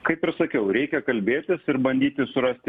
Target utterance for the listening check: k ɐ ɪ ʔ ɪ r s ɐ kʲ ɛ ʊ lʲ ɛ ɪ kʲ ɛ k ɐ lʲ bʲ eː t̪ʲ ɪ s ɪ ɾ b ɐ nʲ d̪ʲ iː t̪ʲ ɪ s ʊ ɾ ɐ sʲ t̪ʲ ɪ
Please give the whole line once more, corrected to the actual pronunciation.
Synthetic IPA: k ɐ ɪ p ɪ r s ɐ kʲ ɛ ʊ ɾʲ ɛ ɪ kʲ ɛ k ɐ lʲ bʲ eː t̪ʲ ɪ s ɪ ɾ b ɐ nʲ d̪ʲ iː t̪ʲ ɪ s ʊ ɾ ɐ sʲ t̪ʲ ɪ